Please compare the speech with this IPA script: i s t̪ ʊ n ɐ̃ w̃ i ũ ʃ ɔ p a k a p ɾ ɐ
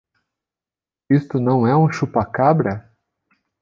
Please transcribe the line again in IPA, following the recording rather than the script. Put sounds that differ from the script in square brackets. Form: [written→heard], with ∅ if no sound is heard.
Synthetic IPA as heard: i s t̪ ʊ n ɐ̃ w̃ [i→ɛ] ũ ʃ [ɔ→u] p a k a [p→b] ɾ ɐ